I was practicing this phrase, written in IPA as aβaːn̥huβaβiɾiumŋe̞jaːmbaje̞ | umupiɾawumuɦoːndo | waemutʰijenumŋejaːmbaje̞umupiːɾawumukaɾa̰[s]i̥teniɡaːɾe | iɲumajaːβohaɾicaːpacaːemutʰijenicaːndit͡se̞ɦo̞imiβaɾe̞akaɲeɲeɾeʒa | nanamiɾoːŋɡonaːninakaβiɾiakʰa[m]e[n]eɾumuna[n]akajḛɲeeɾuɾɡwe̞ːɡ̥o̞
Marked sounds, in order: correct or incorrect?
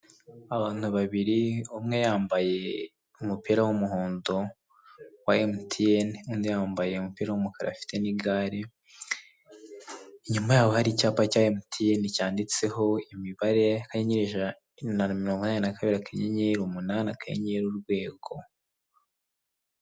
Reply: incorrect: f, incorrect: ɲ, incorrect: ɲ, correct

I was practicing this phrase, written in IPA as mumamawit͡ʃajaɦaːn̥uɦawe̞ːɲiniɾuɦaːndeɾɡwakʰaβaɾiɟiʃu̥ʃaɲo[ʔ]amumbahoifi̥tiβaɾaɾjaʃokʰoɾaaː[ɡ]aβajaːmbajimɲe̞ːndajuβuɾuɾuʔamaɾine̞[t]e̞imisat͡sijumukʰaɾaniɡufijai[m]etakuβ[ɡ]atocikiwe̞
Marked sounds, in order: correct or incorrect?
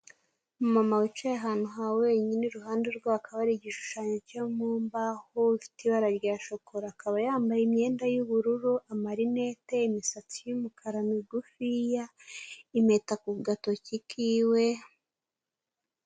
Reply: incorrect: c, incorrect: k, correct, correct, correct

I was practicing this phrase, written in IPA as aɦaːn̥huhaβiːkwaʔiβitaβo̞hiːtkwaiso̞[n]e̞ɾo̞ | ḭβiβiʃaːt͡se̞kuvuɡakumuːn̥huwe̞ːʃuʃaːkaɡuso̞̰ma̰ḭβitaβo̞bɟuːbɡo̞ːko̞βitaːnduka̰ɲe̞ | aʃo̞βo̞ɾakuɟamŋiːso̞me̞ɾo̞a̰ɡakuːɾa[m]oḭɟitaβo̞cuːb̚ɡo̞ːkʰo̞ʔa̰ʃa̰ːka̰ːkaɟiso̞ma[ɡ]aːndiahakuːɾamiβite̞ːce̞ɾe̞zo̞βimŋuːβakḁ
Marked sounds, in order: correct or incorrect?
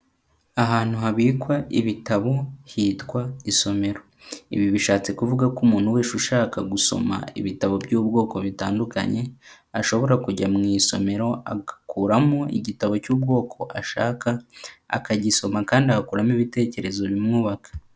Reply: incorrect: m, correct, incorrect: k

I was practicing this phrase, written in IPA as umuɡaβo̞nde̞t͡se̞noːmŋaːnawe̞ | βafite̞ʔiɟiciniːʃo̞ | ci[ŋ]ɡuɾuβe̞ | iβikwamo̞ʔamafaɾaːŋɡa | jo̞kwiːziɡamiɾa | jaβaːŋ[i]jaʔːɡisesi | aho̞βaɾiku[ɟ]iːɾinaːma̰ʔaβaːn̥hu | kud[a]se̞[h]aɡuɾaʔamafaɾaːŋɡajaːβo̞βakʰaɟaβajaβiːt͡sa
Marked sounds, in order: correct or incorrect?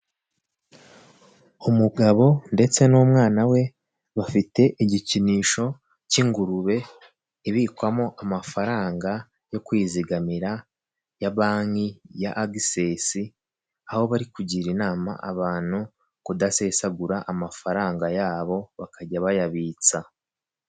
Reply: correct, correct, correct, correct, incorrect: s

